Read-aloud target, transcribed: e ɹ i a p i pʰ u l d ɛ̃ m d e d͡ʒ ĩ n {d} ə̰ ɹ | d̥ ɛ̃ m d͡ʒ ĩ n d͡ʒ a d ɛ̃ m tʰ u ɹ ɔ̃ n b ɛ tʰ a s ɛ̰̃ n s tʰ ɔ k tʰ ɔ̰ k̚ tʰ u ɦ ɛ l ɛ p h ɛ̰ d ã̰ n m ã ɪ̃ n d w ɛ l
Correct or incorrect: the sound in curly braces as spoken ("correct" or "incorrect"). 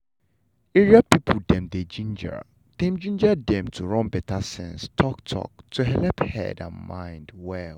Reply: incorrect